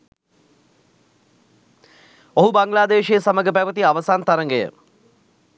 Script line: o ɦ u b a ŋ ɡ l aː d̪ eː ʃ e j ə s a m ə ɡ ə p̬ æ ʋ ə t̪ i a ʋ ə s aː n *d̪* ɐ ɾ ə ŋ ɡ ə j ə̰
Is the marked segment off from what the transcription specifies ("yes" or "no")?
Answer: yes